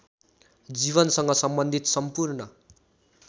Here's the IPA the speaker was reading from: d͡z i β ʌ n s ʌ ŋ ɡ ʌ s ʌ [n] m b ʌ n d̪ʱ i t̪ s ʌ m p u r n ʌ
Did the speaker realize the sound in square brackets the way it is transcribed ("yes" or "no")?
no